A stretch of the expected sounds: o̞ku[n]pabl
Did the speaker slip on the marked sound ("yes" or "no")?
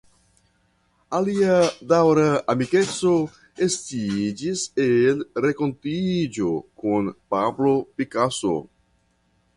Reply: no